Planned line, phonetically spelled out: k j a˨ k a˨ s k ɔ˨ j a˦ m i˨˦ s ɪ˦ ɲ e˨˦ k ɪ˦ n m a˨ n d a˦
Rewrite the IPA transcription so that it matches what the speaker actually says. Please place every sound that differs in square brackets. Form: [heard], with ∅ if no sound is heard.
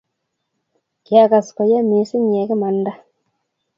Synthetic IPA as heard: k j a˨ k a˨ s k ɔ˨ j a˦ m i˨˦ s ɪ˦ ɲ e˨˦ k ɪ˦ [∅] m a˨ n d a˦